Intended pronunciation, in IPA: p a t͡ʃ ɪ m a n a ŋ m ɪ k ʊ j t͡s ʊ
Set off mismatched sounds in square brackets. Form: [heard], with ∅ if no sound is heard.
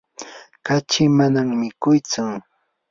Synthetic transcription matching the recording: [k] a t͡ʃ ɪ m a n a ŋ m ɪ k ʊ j t͡s ʊ